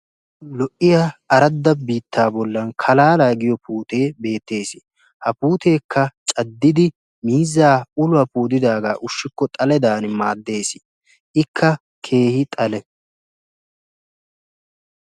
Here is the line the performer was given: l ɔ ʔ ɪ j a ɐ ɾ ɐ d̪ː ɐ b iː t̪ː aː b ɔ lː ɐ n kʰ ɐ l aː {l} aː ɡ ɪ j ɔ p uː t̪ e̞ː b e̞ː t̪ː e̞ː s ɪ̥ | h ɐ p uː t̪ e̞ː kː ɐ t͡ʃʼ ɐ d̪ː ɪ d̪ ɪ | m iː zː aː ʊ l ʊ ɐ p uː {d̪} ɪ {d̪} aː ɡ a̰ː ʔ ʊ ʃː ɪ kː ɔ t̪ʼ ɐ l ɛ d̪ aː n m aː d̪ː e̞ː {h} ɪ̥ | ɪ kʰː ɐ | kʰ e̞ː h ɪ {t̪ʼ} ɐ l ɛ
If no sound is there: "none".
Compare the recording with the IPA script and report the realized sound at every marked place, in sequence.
l, d̪, d̪, s, t̪ʼ

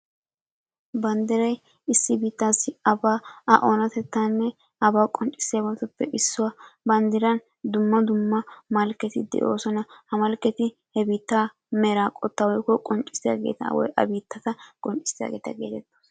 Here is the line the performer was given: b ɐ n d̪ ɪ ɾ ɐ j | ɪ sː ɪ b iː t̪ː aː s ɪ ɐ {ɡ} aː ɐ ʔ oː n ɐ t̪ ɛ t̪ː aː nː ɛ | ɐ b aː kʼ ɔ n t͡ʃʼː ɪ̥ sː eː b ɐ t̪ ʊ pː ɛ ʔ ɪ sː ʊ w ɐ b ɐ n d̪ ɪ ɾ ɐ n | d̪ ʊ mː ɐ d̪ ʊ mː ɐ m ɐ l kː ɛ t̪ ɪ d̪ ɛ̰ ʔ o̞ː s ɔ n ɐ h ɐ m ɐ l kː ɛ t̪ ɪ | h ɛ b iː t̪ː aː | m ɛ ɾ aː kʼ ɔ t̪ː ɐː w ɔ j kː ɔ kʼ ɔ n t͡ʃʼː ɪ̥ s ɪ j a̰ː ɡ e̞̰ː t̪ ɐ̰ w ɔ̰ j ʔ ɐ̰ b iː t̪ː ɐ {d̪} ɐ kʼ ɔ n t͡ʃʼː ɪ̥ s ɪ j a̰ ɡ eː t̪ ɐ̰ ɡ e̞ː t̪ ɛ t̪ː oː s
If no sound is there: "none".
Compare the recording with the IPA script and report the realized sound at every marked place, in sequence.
b, t̪

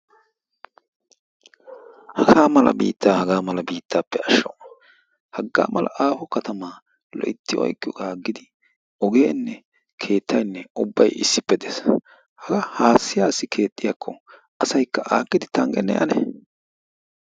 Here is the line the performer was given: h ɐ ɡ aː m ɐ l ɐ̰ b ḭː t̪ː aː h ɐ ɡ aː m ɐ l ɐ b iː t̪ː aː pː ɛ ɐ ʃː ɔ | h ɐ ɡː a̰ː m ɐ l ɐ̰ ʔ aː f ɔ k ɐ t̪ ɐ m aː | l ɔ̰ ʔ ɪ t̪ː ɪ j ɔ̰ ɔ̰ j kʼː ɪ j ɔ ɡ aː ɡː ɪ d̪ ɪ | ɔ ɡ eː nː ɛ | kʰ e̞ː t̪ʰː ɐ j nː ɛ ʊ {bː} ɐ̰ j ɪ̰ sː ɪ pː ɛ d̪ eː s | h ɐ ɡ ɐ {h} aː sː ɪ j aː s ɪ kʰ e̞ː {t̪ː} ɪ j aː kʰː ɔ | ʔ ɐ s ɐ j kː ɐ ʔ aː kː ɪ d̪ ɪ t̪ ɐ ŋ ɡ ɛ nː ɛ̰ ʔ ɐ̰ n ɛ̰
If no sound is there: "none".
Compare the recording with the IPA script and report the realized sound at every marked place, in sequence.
bː, h, t̪ʼː

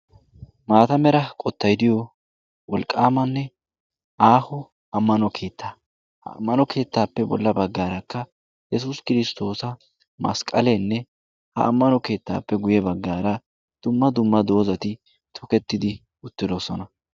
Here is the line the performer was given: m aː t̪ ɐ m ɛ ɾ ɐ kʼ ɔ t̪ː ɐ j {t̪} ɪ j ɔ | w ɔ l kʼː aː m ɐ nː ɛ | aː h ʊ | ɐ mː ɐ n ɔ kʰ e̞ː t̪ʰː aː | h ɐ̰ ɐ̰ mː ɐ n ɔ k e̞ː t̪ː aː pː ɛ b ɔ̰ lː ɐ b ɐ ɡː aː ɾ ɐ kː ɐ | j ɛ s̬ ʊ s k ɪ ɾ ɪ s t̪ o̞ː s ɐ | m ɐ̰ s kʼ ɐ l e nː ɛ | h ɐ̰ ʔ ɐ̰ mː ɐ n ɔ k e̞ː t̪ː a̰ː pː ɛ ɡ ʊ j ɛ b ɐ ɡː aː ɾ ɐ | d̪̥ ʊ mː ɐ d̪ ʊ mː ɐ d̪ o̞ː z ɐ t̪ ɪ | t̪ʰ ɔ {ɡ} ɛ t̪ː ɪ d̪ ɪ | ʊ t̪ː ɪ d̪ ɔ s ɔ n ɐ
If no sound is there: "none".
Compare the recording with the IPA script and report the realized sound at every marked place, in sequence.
d̪, k

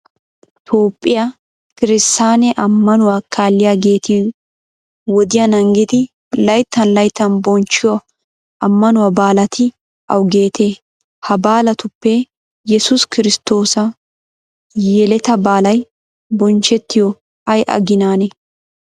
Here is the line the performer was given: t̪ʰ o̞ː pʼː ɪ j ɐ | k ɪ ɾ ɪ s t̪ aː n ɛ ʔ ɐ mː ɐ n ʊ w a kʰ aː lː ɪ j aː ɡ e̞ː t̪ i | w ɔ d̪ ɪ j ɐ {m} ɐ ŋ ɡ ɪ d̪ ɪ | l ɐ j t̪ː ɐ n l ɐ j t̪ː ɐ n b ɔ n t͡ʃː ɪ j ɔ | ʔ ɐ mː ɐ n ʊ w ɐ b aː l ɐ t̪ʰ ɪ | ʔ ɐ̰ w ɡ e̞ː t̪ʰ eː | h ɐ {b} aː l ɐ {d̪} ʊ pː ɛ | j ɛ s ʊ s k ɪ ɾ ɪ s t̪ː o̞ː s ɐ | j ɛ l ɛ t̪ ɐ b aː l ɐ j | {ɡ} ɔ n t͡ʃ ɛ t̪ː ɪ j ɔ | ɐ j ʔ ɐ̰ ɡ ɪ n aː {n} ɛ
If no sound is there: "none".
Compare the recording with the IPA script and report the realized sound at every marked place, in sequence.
n, b, t̪, b, n

